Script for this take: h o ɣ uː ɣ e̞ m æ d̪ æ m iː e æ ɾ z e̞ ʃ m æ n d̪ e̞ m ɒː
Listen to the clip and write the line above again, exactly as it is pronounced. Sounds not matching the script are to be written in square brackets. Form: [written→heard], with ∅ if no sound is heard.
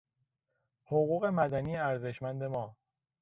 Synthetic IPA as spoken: h o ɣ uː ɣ e̞ m æ d̪ æ [m→n] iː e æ ɾ z e̞ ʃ m æ n d̪ e̞ m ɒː